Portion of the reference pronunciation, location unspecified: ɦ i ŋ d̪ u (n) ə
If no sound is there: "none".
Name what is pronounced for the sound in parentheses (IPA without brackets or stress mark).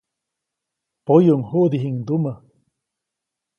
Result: m